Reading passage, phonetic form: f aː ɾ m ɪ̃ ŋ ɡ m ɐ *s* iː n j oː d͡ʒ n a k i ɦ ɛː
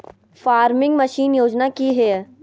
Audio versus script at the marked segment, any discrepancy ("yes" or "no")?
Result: yes